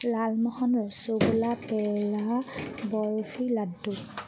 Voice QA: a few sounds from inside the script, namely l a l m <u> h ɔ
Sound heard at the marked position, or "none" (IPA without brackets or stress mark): ɔ